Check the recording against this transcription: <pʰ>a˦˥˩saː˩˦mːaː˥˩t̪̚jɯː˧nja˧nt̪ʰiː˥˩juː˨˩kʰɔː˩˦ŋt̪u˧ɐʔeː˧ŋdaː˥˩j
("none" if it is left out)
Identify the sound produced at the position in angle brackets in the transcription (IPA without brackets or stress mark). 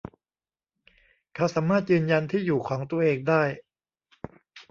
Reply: kʰ